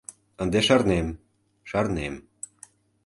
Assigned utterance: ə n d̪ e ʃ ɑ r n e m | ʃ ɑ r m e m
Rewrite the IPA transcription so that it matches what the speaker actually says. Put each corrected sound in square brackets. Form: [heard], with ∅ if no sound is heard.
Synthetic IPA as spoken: ə n d̪ e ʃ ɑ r n e m | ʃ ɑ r [n] e m